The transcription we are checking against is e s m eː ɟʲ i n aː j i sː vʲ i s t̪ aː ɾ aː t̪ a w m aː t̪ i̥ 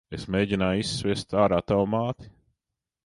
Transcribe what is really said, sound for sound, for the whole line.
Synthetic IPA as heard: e s m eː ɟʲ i n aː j i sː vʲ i s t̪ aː ɾ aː t̪ a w m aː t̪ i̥